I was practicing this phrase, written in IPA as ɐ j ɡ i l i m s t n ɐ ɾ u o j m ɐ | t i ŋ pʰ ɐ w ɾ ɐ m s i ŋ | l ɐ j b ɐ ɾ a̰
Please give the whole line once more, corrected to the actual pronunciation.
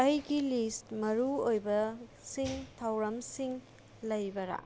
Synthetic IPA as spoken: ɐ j ɡ i l i s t m ɐ ɾ u o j b ɐ | s i ŋ tʰ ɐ w ɾ ɐ m s i ŋ | l ɐ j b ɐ ɾ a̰